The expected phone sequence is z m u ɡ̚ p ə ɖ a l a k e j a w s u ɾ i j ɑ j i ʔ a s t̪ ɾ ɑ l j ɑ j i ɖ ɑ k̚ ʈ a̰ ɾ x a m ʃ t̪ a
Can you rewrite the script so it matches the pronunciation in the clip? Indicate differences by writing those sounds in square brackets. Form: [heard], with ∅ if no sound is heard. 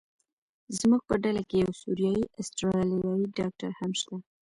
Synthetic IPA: z m u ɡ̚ p ə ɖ a l a k e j a w s u ɾ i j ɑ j i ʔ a s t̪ ɾ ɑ l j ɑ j i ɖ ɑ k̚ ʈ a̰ ɾ [h] a m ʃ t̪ a